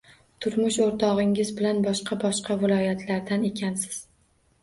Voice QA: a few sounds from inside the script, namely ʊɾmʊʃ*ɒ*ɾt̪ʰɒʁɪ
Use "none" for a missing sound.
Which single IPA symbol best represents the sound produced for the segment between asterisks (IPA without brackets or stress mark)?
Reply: o